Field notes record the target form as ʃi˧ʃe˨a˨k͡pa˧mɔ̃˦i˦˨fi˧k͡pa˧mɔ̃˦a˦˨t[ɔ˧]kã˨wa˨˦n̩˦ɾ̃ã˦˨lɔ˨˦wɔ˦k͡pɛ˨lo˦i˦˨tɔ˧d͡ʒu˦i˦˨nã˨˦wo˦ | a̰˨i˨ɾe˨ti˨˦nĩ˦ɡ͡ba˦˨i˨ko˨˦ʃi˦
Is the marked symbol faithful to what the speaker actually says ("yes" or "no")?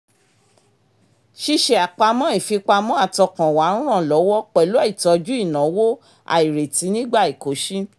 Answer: yes